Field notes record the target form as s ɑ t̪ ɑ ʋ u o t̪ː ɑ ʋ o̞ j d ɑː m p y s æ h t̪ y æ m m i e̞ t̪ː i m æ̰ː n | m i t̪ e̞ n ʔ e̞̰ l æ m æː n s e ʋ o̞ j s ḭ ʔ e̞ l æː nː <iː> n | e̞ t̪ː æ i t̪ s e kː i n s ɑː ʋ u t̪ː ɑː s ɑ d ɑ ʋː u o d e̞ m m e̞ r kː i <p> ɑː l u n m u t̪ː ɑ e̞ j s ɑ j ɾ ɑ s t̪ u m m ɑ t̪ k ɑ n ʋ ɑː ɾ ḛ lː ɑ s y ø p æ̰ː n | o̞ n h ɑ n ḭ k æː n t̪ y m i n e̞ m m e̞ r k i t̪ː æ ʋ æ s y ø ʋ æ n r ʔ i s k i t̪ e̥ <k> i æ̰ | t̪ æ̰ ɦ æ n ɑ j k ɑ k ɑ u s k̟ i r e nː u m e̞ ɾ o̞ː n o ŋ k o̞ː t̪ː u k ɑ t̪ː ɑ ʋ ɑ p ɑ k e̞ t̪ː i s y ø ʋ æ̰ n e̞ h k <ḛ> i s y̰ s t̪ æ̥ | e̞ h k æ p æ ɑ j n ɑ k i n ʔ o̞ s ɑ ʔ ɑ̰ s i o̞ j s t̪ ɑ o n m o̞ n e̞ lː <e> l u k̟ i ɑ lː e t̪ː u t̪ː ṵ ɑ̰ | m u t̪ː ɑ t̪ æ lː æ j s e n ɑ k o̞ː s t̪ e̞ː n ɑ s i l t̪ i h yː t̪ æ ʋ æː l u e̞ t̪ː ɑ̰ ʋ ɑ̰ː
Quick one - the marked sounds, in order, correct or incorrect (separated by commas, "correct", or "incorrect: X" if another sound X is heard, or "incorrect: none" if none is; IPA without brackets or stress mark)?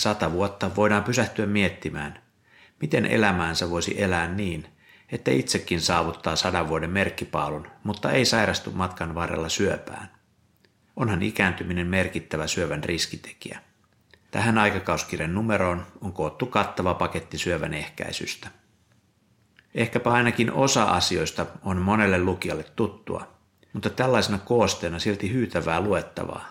correct, correct, correct, incorrect: æ̰, correct